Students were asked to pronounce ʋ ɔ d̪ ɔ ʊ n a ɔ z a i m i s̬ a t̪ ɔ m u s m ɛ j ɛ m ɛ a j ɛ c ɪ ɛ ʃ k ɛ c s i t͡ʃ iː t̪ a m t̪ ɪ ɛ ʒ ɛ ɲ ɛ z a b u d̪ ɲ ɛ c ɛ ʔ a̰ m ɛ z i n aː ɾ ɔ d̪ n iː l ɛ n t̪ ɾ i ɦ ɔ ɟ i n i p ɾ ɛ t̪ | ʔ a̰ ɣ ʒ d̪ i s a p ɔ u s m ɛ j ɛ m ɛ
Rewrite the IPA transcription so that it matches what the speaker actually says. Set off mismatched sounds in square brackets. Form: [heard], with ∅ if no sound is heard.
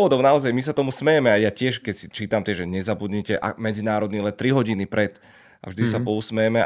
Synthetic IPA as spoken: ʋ ɔ d̪ ɔ ʊ n a ɔ z a [j] m i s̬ a t̪ ɔ m u s m ɛ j ɛ m ɛ a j [a] c ɪ ɛ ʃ k ɛ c s i t͡ʃ iː t̪ a m t̪ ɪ ɛ ʒ ɛ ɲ ɛ z a b u d̪ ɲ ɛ c ɛ ʔ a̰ m ɛ [d͡z] i n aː ɾ ɔ d̪ n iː l ɛ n t̪ ɾ i ɦ ɔ ɟ i n i p ɾ ɛ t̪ | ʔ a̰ [v] ʒ d̪ i s a p ɔ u s m ɛ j ɛ m ɛ